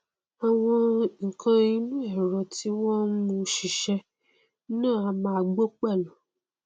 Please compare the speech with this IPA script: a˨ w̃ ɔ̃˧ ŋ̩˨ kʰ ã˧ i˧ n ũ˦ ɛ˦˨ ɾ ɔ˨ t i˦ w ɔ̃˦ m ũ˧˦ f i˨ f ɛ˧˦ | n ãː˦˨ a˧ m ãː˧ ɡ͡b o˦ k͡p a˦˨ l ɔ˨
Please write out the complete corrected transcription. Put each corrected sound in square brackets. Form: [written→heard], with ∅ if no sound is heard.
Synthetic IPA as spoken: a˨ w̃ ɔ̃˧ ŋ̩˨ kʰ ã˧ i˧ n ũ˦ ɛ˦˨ ɾ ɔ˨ t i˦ w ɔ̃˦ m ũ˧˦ [f→ʃ] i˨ [f→ʃ] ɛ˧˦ | n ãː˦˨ a˧ m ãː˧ ɡ͡b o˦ k͡p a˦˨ l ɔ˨